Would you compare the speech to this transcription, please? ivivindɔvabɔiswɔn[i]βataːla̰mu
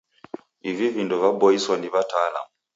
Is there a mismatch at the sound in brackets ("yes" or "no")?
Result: no